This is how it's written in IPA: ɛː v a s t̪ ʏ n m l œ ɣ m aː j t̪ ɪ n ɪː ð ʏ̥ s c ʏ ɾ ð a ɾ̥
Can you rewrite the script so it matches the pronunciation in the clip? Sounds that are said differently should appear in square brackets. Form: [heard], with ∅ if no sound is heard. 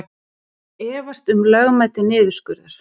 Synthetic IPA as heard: ɛː v a s t̪ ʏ [∅] m l œ ɣ m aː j t̪ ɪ n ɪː ð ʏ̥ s [k] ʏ ɾ ð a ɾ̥